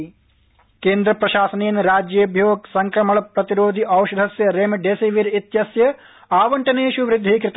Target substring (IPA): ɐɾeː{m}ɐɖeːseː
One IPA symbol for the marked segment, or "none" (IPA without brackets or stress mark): m